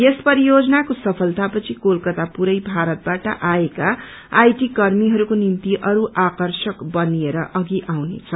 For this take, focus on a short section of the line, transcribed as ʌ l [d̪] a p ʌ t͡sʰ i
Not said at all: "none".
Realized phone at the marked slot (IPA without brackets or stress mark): t̪